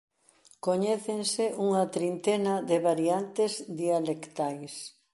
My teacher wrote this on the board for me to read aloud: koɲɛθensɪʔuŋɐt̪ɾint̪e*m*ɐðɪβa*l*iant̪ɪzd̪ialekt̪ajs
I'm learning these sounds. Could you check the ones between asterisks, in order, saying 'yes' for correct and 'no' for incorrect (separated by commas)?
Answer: no, no